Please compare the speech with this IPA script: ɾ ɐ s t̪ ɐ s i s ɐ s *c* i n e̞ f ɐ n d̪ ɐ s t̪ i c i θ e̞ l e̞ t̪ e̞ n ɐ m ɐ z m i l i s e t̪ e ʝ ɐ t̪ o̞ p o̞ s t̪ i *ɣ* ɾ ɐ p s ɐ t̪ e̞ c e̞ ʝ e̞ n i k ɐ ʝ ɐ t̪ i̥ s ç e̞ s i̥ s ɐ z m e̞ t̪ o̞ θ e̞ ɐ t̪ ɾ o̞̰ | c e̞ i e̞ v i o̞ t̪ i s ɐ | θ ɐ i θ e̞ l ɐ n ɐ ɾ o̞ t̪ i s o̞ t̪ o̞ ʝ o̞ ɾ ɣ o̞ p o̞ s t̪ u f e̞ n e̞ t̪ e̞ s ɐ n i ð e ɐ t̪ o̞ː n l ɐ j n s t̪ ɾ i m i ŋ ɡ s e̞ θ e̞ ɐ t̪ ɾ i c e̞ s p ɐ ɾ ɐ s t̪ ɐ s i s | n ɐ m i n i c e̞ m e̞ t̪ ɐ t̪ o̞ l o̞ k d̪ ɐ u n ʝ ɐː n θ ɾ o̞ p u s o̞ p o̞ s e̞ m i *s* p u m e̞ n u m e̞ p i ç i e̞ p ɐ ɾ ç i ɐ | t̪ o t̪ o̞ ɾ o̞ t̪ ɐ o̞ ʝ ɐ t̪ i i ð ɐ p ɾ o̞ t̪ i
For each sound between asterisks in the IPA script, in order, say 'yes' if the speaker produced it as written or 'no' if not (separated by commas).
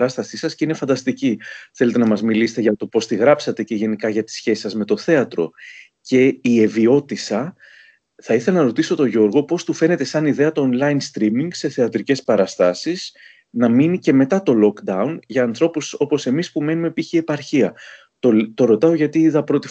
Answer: yes, yes, yes